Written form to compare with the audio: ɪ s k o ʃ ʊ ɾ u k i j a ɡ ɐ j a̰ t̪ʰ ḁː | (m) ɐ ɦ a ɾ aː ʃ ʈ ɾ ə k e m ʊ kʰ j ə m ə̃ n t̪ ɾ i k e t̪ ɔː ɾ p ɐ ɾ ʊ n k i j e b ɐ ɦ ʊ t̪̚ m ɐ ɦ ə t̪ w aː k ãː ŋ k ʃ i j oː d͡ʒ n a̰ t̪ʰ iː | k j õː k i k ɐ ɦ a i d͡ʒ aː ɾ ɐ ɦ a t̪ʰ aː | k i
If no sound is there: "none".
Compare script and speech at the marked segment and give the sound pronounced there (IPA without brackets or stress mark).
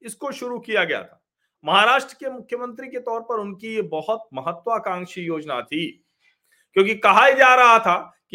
m